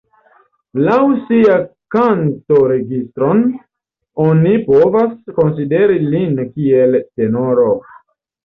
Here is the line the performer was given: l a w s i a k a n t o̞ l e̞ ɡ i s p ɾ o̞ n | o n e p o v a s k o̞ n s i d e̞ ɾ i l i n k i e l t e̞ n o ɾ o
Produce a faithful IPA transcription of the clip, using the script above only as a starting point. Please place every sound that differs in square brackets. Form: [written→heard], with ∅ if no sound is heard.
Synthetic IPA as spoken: l a w s i a k a n t o̞ [l→ɾ] e̞ ɡ i s [p→t] ɾ o̞ n | o n [e→i] p o v a s k o̞ n s i d e̞ ɾ i l i n k i e l t e̞ n o ɾ o